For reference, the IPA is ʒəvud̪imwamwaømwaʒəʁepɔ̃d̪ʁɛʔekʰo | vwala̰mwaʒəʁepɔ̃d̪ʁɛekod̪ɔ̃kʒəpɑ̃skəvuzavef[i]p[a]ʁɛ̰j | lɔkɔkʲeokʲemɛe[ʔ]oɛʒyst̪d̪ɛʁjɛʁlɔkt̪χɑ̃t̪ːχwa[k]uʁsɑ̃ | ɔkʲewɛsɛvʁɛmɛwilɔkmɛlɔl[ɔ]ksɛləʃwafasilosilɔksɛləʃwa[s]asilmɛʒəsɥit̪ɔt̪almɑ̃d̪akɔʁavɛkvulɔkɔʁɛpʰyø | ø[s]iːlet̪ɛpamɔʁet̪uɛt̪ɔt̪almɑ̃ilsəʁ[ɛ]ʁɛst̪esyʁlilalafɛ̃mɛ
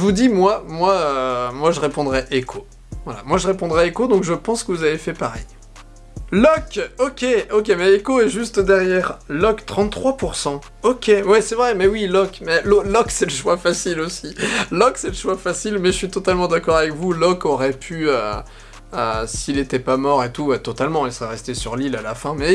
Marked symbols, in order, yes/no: no, yes, no, no, yes, no, yes, yes

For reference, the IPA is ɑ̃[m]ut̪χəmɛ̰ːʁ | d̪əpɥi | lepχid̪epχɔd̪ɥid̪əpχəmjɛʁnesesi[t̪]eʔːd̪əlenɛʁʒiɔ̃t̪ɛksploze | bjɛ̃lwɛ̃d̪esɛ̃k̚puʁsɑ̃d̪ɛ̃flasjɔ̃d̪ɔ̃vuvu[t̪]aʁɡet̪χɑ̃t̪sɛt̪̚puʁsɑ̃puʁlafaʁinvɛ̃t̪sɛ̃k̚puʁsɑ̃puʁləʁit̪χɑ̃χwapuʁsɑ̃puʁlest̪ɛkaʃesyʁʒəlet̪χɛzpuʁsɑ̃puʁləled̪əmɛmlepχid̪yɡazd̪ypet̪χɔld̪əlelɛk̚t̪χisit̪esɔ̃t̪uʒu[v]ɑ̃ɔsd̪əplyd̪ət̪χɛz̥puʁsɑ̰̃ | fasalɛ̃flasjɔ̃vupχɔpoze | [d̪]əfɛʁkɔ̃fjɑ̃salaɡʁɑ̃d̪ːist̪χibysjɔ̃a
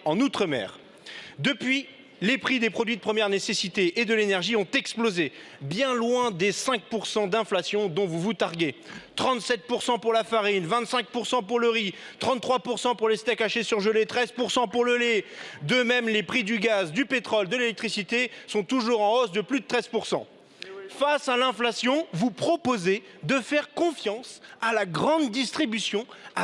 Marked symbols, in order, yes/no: no, yes, yes, no, yes

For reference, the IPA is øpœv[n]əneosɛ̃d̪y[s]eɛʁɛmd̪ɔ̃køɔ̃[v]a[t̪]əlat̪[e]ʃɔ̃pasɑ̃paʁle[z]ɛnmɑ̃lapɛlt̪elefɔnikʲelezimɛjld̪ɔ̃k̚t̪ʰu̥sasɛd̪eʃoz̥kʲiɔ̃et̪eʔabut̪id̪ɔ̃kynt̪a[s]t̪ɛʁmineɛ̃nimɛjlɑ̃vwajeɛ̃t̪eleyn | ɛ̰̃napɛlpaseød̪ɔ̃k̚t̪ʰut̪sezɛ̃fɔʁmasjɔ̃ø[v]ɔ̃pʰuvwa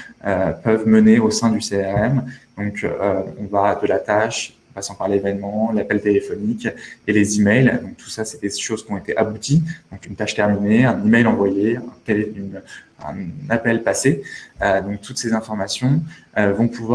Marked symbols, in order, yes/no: no, yes, yes, no, no, no, no, yes

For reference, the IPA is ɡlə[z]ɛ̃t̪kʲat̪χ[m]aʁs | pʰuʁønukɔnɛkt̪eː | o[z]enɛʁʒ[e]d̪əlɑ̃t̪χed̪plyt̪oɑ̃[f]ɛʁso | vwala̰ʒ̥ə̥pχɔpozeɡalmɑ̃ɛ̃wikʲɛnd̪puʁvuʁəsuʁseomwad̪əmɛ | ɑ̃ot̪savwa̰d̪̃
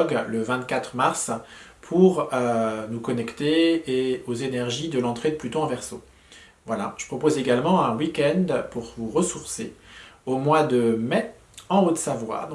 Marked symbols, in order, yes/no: no, yes, yes, no, no

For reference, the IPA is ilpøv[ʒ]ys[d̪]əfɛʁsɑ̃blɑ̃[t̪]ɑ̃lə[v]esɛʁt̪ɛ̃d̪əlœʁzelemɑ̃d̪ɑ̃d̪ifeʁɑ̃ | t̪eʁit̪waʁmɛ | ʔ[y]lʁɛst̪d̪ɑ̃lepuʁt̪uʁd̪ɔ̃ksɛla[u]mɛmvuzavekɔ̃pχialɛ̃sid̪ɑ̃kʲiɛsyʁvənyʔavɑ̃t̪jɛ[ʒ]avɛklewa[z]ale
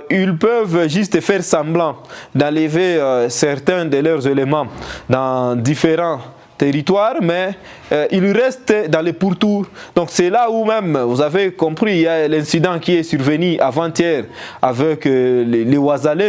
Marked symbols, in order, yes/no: yes, no, no, yes, no, yes, no, yes

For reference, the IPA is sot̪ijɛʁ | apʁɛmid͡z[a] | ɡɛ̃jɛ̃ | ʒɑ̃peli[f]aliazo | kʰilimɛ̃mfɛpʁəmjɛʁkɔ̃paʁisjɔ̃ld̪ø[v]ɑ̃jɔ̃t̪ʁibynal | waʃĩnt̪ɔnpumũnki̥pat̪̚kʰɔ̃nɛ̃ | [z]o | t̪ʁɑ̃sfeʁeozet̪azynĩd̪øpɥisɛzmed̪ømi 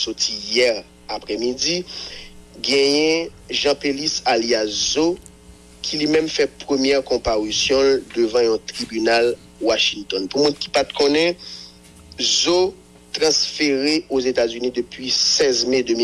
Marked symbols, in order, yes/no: no, no, yes, yes

